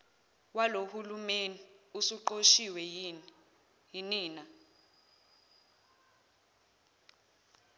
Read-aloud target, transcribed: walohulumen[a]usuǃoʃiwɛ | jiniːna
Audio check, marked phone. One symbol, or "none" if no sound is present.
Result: i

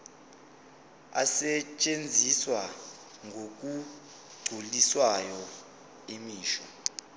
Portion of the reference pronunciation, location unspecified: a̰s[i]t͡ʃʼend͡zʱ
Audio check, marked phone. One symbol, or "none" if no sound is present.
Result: ɛ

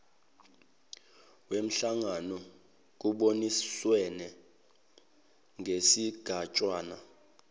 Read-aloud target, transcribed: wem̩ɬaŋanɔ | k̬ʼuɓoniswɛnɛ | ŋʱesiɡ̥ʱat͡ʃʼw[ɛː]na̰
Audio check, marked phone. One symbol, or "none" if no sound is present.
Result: aː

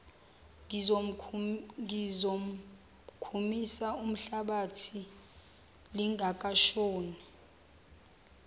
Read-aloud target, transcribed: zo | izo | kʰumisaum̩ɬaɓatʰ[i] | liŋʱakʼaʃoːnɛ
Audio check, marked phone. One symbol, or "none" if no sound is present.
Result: i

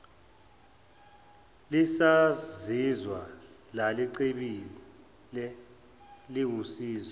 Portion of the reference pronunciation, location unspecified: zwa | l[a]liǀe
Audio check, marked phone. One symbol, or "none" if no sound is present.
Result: a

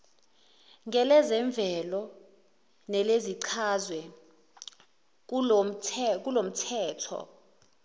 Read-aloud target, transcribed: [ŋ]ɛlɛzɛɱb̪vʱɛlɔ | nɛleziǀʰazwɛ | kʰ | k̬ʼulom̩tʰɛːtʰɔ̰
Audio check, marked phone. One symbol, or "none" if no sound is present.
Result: ŋ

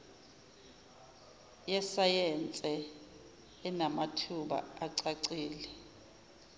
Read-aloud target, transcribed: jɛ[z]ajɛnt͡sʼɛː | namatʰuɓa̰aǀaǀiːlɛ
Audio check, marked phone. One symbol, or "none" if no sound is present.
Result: s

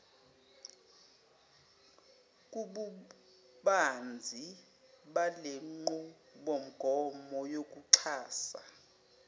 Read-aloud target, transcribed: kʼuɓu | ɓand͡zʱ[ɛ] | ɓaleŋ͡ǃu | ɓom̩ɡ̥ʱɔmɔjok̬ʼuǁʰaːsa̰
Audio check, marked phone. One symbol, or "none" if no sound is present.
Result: i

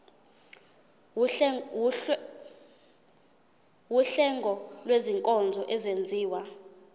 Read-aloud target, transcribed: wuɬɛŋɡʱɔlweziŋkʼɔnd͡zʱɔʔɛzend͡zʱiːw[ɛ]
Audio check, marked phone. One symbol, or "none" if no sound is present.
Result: a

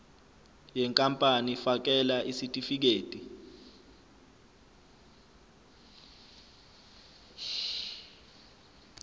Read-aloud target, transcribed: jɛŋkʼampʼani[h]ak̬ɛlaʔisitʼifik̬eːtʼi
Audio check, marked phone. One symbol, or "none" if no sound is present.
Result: f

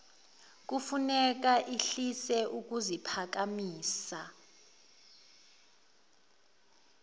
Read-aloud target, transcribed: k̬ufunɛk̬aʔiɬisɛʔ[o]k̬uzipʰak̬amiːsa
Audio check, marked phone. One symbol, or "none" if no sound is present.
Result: u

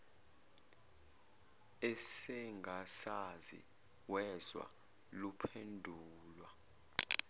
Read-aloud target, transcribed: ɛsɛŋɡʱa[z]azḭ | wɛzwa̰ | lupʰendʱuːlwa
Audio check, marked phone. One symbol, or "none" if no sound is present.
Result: s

